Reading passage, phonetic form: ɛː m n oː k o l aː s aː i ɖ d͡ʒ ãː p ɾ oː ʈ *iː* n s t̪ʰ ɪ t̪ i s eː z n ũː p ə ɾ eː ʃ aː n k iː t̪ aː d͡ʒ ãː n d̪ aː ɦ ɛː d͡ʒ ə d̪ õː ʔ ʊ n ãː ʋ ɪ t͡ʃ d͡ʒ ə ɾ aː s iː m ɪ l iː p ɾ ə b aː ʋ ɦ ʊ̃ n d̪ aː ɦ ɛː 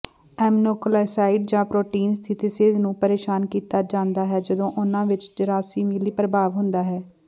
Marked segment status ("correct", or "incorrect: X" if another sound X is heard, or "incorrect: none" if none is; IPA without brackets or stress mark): correct